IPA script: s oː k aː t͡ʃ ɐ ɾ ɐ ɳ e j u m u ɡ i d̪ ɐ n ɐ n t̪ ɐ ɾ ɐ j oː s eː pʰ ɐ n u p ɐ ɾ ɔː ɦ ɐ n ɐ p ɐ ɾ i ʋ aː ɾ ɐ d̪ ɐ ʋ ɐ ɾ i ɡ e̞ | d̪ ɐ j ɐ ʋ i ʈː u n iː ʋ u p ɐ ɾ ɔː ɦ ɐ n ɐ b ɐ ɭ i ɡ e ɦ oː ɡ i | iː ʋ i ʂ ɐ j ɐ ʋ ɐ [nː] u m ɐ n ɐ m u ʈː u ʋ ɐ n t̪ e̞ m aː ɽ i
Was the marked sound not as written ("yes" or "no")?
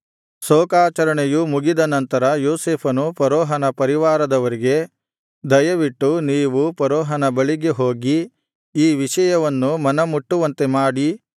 no